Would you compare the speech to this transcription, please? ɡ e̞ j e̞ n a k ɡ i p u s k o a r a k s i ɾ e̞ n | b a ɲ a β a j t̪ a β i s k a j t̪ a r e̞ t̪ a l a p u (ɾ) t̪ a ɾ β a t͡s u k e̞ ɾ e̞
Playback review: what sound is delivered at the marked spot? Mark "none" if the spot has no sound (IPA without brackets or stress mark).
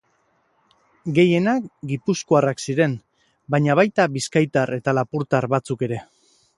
ɾ